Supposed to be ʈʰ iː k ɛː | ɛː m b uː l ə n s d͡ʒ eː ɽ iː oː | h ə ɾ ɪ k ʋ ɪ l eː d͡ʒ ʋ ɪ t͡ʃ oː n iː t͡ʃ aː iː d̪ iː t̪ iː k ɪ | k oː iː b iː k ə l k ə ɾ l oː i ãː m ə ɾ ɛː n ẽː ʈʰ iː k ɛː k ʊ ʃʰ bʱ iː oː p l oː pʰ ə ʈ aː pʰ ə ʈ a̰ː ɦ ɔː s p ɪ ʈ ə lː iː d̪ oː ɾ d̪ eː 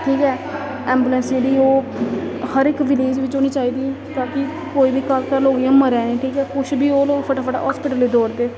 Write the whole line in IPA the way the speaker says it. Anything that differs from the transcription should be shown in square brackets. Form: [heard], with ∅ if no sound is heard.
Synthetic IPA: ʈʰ iː k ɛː | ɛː m b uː l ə n s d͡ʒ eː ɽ iː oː | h ə ɾ ɪ k ʋ ɪ l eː d͡ʒ ʋ ɪ t͡ʃ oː n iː t͡ʃ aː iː d̪ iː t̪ [aː] k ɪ | k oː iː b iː k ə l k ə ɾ l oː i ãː m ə ɾ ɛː n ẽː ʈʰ iː k ɛː k ʊ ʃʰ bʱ iː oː [∅] l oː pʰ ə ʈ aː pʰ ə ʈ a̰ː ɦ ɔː s p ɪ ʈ ə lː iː d̪ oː ɾ d̪ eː